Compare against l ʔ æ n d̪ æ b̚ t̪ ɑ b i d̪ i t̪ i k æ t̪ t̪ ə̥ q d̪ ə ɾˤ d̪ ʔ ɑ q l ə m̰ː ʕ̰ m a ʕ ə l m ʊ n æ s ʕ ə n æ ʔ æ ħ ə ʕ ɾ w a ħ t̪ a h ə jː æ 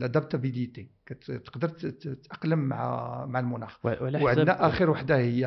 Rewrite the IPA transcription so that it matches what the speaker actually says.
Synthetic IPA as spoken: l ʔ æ d̪ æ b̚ t̪ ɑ b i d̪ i t̪ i k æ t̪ t̪ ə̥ q d̪ ə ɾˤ t̪ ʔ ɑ q l ə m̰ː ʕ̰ m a ʕ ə l m ʊ n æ x ʕ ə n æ ʔ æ x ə ɾ w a ħ d̪ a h ə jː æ